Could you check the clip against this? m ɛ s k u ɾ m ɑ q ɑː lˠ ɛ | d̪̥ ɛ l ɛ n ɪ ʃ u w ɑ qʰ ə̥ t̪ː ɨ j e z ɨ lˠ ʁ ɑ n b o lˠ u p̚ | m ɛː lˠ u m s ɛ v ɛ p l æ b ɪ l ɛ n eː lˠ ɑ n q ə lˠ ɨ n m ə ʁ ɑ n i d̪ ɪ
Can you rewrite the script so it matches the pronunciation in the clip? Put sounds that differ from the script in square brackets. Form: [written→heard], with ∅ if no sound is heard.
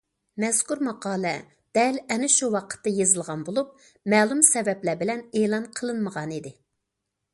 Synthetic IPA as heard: m ɛ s k u ɾ m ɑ q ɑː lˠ ɛ | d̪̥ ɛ l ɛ n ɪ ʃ u w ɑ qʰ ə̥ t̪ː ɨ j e z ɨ lˠ ʁ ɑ n b o lˠ u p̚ | m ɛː lˠ u m s ɛ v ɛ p l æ b ɪ l ɛ n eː lˠ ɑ n [q→qʰ] ə lˠ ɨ n m ə ʁ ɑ n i d̪ ɪ